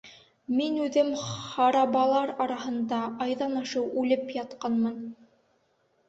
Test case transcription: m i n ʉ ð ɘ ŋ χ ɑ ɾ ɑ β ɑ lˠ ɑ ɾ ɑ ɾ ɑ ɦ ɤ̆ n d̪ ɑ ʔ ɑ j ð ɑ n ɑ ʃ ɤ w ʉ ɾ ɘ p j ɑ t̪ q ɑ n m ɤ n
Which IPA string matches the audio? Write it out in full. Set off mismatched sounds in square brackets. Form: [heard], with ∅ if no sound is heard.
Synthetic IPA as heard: m i n ʉ ð ɘ [m] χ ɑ ɾ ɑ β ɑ lˠ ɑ ɾ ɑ ɾ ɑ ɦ ɤ̆ n d̪ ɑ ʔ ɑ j ð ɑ n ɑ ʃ ɤ w ʉ [l] ɘ p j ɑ t̪ q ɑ n m ɤ n